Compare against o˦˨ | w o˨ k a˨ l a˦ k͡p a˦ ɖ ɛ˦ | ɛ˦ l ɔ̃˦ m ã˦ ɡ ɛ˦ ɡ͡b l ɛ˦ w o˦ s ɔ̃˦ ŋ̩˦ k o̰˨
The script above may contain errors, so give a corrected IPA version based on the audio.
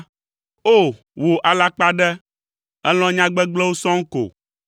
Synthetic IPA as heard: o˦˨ | w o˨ ʔ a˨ l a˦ k͡p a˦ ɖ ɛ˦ | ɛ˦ l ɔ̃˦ ɲ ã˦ ɡ͡b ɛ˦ ɡ͡b l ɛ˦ w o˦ s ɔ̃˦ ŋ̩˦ k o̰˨